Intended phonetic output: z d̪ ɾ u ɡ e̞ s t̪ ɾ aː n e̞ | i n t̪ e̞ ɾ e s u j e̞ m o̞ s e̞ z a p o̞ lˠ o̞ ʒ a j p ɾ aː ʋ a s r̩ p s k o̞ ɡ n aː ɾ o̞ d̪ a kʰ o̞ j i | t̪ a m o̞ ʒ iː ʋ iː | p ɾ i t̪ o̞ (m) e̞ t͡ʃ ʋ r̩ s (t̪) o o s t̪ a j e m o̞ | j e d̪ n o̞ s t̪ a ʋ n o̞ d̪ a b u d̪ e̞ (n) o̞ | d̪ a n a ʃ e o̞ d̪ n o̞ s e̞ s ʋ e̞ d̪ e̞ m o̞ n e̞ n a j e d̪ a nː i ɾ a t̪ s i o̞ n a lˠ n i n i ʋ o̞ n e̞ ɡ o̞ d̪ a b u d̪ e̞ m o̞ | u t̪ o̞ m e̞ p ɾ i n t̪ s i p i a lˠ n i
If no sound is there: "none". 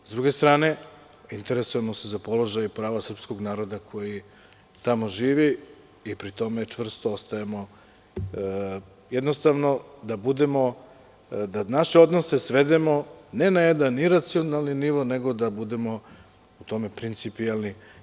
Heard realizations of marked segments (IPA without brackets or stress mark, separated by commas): m, t̪, m